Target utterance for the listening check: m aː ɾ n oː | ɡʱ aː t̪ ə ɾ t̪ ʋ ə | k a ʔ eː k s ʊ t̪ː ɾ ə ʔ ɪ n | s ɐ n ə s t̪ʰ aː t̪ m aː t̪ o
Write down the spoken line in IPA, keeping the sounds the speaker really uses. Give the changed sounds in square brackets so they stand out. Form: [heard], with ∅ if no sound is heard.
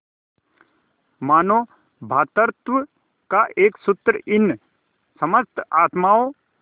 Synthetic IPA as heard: m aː [∅] n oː | [bʱ] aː t̪ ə ɾ t̪ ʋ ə | k a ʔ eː k s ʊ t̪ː ɾ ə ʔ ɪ n | s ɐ [m] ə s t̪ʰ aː t̪ m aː [∅] o